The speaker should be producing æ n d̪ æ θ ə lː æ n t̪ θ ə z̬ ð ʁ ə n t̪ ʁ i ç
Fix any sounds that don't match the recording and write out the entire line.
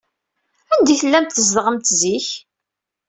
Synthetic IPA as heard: æ n d̪ i θ ə lː æ m t̪ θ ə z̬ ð ʁ ə m t̪ z i ç